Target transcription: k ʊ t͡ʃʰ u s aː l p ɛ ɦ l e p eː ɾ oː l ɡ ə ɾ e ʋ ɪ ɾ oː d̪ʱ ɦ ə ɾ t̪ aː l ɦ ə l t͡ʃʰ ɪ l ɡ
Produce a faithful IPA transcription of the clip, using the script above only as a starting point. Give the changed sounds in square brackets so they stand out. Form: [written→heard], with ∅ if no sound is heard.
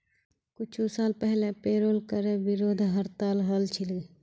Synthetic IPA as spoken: k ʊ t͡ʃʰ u s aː l p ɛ ɦ l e p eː ɾ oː l [ɡ→k] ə ɾ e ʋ ɪ ɾ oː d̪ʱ ɦ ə ɾ t̪ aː l ɦ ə l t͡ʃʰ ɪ l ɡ